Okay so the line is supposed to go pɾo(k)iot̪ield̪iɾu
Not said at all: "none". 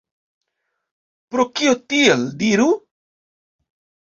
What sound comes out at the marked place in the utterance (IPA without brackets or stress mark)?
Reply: k